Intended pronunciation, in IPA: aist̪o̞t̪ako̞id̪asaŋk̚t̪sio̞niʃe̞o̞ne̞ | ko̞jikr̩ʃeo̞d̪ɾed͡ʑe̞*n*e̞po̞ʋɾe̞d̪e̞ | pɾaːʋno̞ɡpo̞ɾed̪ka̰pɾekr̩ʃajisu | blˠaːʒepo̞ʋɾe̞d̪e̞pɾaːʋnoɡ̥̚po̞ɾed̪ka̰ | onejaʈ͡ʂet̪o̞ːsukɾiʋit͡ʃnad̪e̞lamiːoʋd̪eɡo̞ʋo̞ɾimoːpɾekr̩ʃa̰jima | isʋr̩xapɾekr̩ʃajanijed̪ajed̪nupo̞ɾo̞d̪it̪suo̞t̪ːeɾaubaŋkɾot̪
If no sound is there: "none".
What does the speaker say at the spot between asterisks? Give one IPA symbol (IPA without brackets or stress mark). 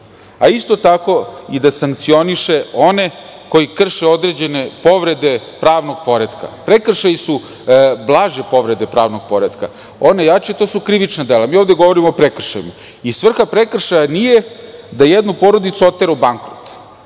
n